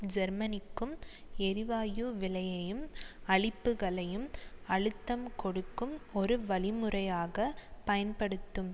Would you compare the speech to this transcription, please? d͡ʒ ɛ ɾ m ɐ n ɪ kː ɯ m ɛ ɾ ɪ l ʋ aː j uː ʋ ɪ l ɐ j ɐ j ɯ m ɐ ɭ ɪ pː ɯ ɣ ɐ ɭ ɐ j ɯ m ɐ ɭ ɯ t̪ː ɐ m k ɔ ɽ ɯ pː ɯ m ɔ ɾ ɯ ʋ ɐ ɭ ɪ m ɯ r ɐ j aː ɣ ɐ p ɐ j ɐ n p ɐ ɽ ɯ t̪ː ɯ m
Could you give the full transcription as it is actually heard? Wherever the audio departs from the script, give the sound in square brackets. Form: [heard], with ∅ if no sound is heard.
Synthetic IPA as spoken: d͡ʒ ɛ ɾ m ɐ n ɪ kː ɯ m ɛ ɾ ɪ [∅] ʋ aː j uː ʋ ɪ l ɐ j ɐ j ɯ m ɐ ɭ ɪ pː ɯ ɣ ɐ ɭ ɐ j ɯ m ɐ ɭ ɯ t̪ː ɐ m k ɔ ɽ ɯ [kː] ɯ m ɔ ɾ ɯ ʋ ɐ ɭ ɪ m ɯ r ɐ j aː ɣ ɐ p ɐ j ɐ n p ɐ ɽ ɯ t̪ː ɯ m